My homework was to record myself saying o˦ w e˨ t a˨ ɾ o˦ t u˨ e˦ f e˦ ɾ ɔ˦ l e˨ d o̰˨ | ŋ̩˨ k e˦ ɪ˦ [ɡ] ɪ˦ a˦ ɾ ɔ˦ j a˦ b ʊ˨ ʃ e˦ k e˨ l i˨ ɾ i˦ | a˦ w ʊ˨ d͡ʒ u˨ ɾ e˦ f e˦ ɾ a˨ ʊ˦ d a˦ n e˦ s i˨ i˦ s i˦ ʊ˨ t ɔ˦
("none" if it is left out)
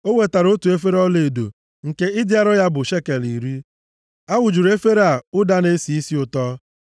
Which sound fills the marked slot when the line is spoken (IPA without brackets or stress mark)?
d